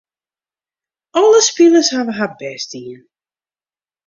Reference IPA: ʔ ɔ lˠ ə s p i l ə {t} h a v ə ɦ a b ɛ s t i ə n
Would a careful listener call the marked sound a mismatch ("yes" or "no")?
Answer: yes